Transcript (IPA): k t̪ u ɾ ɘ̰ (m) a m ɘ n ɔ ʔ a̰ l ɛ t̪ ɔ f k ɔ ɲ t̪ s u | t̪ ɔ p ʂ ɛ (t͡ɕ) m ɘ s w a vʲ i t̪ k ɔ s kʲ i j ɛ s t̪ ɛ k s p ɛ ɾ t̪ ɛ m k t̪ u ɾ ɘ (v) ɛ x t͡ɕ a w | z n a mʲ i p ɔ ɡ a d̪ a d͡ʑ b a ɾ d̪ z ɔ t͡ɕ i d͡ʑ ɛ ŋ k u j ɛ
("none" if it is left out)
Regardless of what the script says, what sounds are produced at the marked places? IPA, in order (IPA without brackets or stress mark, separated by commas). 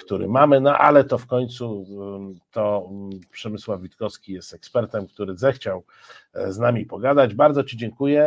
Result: m, none, z